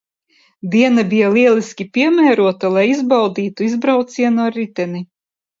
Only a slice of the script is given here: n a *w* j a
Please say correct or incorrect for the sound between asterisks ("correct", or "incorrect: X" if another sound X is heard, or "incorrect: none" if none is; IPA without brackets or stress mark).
incorrect: b